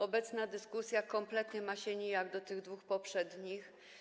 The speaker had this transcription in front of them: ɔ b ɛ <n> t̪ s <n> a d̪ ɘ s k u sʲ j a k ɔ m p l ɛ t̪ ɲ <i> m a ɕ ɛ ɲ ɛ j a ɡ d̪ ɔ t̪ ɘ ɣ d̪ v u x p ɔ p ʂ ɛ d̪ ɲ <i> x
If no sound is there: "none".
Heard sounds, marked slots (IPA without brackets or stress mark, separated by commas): none, n, ɛ, i